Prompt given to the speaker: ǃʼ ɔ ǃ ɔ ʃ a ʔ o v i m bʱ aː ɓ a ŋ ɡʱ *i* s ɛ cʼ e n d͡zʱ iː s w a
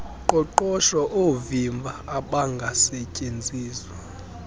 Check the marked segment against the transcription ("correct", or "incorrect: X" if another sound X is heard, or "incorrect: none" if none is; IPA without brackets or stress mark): incorrect: a